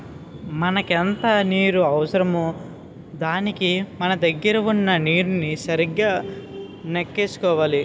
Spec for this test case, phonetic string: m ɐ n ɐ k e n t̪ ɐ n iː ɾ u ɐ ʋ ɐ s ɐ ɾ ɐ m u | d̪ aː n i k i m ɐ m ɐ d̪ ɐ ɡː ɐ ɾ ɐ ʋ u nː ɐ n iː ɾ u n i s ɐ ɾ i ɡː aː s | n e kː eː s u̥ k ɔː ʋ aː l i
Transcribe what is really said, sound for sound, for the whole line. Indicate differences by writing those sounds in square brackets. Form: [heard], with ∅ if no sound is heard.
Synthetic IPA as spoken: m ɐ n ɐ k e n t̪ ɐ n iː ɾ u ɐ ʋ ɐ s ɐ ɾ ɐ m u | d̪ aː n i k i m ɐ [n] ɐ d̪ ɐ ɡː ɐ ɾ ɐ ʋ u nː ɐ n iː ɾ u n i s ɐ ɾ i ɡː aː [∅] | n e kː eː s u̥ k ɔː ʋ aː l i